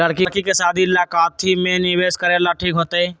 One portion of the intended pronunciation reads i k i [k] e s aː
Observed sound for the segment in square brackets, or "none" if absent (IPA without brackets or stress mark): k